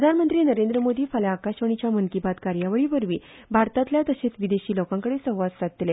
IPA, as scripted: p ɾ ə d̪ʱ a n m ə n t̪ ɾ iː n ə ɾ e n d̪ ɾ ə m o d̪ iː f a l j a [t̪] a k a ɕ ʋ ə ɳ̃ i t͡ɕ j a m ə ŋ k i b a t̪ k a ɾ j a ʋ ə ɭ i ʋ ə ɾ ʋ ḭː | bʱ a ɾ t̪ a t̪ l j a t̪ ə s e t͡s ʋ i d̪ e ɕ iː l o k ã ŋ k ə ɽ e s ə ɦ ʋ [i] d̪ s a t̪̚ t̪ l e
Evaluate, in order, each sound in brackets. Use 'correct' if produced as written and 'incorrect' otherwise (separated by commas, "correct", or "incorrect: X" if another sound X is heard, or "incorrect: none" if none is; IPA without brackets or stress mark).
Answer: incorrect: none, incorrect: a